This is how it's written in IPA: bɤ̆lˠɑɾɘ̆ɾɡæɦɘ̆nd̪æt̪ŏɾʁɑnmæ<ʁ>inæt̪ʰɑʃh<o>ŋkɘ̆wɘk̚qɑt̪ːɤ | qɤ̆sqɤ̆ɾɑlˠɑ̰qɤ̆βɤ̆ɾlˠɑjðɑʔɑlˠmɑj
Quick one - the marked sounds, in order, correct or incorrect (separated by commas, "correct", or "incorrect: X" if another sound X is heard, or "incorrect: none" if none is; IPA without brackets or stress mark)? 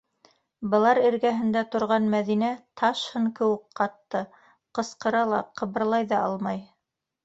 incorrect: ð, incorrect: ɤ